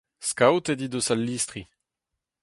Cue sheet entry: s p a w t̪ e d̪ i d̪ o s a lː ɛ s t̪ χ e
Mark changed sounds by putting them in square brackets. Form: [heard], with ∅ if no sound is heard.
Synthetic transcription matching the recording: s [k] a w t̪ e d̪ i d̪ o s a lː [i] s t̪ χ [i]